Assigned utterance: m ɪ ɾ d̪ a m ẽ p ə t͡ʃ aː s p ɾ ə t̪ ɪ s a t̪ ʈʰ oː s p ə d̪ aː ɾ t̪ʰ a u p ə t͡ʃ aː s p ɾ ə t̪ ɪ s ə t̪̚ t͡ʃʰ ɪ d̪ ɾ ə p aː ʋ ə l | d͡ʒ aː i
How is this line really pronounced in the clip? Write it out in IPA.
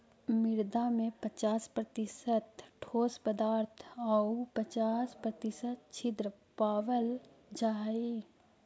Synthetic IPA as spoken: m ɪ ɾ d̪ a m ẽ p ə t͡ʃ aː s p ɾ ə t̪ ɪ s ə t̪ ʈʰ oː s p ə d̪ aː ɾ t̪ʰ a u p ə t͡ʃ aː s p ɾ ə t̪ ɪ s ə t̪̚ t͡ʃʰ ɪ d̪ ɾ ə p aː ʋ ə l | d͡ʒ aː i